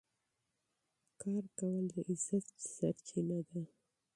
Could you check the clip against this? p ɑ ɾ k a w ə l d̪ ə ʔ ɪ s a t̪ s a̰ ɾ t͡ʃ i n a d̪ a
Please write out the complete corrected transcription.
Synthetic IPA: k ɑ ɾ k a w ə l d̪ ə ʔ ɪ z a t̪ s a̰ ɾ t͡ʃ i n a d̪ a